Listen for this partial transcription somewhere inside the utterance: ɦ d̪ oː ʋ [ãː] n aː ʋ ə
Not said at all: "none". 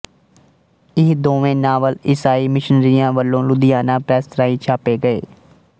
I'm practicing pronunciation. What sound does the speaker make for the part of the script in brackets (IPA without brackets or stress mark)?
ẽː